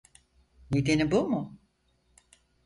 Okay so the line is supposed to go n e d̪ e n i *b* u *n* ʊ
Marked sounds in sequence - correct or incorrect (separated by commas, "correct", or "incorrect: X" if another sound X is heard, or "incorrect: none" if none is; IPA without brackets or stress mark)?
correct, incorrect: m